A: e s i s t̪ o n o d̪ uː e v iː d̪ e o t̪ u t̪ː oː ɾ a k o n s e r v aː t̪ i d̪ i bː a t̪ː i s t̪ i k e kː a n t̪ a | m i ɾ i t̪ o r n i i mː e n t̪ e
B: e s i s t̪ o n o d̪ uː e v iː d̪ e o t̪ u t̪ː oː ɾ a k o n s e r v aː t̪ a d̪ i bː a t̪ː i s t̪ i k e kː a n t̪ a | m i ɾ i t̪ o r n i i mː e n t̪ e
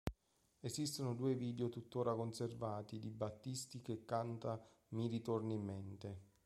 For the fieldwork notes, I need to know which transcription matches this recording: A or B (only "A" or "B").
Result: A